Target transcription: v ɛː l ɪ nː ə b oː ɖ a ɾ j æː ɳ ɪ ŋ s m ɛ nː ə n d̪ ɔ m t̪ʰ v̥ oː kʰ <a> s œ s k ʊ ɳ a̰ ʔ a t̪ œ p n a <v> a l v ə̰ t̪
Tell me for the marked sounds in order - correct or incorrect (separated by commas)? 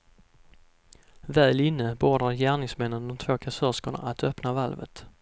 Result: correct, correct